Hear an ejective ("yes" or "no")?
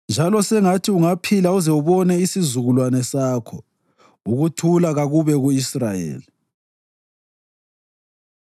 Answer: no